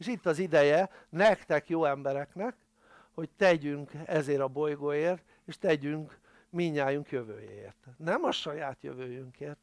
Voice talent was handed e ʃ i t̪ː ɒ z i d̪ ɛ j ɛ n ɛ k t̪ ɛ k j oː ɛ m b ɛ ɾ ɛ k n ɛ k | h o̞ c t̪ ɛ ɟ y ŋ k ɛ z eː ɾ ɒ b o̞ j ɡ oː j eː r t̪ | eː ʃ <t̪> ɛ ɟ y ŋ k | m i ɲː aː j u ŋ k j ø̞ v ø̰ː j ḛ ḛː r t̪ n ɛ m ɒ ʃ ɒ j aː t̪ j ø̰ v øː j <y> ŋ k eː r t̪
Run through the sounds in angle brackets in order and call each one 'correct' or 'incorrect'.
correct, correct

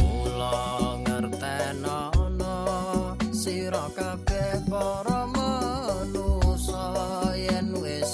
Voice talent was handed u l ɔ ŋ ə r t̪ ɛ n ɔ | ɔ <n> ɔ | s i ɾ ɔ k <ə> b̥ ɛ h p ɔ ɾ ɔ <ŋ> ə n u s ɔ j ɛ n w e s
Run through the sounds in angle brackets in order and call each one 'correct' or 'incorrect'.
correct, incorrect: a, incorrect: m

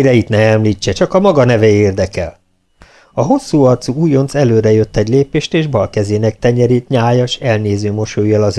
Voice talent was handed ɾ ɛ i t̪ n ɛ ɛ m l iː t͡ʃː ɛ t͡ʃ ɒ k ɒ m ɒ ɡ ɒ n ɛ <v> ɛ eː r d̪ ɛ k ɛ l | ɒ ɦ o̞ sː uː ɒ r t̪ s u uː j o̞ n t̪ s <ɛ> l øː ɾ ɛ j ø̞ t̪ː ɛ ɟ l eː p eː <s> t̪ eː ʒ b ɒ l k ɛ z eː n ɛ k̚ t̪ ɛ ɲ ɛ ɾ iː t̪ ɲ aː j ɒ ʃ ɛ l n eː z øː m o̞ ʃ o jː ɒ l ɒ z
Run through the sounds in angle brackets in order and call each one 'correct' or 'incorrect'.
correct, correct, incorrect: ʃ

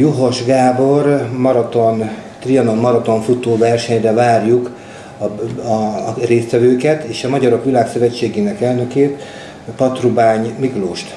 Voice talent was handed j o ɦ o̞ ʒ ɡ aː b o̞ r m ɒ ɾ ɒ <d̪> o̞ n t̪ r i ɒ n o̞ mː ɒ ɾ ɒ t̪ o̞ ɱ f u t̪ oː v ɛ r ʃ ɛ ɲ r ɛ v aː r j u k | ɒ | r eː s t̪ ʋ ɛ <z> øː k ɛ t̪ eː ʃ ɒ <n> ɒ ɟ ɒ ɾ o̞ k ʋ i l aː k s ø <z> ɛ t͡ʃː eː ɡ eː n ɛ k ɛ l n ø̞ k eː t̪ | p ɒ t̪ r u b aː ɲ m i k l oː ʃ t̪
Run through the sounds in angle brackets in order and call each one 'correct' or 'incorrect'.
incorrect: t̪, incorrect: v, incorrect: m, incorrect: v

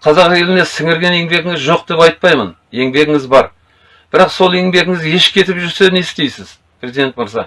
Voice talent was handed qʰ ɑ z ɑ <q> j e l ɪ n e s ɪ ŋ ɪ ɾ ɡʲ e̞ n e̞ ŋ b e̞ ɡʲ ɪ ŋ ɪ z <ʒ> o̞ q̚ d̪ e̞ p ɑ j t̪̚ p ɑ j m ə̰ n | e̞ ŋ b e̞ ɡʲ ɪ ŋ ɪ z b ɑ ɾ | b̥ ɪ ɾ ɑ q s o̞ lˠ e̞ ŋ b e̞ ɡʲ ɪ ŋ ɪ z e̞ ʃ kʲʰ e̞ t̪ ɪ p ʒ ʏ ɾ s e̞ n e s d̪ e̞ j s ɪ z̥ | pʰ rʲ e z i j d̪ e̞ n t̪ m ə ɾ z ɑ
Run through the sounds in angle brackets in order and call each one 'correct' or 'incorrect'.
correct, correct

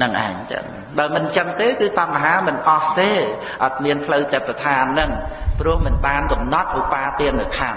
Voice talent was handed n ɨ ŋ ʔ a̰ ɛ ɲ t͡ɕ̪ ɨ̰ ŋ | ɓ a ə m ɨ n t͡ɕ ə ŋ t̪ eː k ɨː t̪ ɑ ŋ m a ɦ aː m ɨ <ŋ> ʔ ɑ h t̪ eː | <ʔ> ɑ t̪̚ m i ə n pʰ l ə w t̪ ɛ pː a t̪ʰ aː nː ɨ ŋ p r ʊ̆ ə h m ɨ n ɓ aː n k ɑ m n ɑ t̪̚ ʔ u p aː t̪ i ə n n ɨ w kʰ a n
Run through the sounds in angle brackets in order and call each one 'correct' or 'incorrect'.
incorrect: n, correct

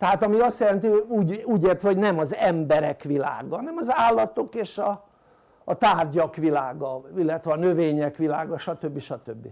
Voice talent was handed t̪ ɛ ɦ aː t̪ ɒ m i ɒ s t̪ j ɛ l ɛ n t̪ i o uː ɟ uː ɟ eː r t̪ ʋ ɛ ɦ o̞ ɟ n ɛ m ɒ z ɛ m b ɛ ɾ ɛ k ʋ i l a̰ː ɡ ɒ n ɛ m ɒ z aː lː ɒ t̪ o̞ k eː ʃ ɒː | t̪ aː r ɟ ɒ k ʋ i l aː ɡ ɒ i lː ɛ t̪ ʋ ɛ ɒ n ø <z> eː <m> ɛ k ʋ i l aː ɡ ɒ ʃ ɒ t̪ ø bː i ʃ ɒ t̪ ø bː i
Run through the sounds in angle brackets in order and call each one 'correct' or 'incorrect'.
incorrect: v, incorrect: ɲ

